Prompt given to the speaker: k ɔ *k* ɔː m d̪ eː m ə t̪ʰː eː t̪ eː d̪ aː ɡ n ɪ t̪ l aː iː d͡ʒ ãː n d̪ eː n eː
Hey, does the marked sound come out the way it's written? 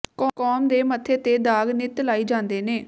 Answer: yes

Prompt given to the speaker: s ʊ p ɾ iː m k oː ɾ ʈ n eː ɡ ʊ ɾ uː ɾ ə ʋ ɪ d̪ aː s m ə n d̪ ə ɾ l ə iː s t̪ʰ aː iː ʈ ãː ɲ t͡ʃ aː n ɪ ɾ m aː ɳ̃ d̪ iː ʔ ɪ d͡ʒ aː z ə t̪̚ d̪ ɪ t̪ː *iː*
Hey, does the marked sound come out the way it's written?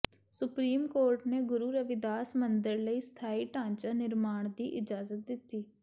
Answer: yes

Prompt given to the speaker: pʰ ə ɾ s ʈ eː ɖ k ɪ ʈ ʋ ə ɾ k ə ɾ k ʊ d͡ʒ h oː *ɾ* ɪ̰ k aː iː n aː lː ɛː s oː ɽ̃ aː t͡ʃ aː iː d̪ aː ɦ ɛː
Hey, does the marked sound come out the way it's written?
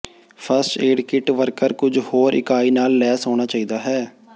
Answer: yes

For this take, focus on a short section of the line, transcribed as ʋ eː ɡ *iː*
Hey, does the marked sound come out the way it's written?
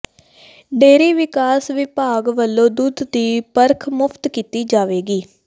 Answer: yes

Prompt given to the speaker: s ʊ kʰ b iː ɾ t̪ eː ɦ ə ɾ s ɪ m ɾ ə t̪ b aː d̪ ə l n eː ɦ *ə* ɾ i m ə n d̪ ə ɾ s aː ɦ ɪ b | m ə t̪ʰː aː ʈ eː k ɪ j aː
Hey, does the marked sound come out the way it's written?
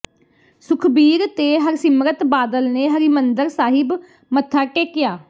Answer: yes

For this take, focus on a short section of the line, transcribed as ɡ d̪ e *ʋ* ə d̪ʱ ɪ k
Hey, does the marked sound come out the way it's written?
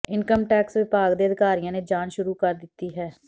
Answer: no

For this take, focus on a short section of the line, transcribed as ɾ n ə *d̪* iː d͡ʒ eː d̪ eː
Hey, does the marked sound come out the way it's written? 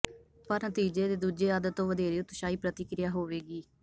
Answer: no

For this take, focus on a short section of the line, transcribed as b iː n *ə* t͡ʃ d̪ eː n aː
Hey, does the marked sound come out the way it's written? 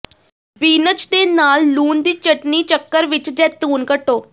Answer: yes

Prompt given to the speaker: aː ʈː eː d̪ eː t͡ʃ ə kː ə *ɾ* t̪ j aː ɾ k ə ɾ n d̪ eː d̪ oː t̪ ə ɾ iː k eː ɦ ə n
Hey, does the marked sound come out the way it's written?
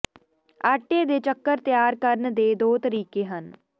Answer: yes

